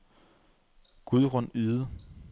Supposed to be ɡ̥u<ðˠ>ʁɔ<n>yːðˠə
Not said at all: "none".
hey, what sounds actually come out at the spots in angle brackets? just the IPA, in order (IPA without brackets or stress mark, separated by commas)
ðˠ, n